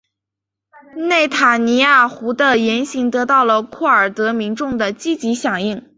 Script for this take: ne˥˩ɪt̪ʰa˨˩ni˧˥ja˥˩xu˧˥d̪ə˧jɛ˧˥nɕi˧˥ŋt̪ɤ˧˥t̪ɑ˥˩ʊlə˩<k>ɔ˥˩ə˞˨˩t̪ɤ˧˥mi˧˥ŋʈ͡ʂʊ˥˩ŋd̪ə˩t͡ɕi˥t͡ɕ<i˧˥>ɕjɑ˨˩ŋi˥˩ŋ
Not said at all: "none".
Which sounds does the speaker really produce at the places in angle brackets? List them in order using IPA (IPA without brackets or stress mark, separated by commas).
kʰ, i˧˥